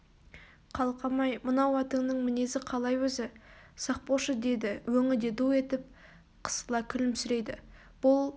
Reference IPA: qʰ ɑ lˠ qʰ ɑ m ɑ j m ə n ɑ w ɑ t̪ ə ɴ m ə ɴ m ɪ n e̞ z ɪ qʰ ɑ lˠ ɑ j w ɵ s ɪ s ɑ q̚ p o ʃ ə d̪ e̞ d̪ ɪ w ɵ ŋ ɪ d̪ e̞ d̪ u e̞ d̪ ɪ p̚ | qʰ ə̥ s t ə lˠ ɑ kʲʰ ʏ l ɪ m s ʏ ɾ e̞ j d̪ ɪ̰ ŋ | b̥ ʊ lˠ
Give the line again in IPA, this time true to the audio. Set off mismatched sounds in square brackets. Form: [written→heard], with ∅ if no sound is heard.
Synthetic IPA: qʰ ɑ lˠ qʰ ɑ m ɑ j m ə n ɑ w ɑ t̪ ə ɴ [m→n] ə ɴ m ɪ n e̞ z ɪ qʰ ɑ lˠ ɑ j w ɵ [s→z] ɪ s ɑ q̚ p o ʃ ə d̪ e̞ d̪ ɪ w ɵ ŋ ɪ d̪ e̞ d̪ u e̞ [d̪→t̪] ɪ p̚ | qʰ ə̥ s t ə lˠ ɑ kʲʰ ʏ l ɪ m s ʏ ɾ e̞ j d̪ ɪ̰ [ŋ→∅] | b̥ ʊ lˠ